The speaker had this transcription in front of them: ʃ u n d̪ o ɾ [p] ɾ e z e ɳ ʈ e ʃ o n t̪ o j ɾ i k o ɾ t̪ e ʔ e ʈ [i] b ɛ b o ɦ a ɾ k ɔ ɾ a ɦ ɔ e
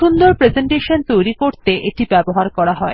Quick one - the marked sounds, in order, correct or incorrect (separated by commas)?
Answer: correct, correct